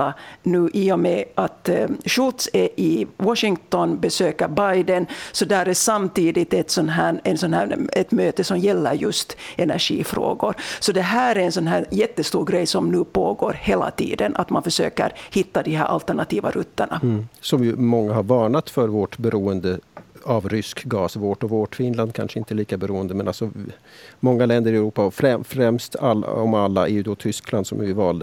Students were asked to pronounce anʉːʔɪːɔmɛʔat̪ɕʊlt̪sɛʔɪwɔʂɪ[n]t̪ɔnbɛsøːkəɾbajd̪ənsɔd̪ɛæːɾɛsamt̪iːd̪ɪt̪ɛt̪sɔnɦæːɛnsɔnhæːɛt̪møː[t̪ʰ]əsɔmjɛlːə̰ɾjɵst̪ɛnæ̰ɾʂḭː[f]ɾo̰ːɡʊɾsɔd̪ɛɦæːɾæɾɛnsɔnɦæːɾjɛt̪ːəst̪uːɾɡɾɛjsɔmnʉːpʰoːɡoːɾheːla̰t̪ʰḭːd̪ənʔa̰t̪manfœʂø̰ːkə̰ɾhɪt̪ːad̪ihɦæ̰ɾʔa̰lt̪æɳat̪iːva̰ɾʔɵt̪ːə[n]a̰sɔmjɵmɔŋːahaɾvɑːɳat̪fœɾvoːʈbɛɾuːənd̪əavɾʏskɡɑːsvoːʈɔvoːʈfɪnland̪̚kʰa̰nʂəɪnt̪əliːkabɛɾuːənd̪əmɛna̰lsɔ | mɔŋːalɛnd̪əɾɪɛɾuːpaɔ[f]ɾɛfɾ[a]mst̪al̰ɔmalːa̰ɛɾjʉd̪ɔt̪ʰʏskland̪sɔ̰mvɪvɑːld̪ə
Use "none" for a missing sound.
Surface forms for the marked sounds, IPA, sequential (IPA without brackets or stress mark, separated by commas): ŋ, t̪, f, ɳ, f, ɛ